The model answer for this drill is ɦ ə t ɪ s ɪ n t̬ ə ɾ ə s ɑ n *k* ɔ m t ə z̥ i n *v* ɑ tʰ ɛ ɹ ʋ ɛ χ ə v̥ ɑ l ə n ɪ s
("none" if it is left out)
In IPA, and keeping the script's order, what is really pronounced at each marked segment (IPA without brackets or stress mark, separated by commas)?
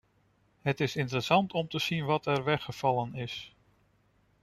t, ʋ